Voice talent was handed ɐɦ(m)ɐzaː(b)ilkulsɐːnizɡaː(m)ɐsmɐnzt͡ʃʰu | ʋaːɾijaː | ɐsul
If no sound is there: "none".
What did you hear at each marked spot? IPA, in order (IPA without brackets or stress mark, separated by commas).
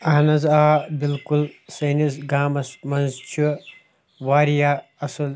n, b, m